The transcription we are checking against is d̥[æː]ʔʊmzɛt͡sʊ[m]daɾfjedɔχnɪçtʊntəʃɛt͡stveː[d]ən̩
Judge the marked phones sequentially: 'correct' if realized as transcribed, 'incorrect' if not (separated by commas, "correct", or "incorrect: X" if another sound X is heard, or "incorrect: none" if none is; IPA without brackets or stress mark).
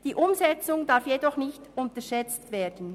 incorrect: iː, incorrect: ŋ, correct